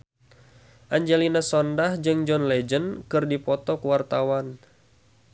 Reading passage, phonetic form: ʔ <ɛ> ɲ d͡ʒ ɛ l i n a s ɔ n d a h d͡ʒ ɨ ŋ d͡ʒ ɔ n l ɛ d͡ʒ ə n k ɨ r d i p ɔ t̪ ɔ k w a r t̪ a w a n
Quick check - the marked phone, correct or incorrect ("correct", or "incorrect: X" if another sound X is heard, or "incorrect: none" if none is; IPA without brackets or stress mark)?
incorrect: a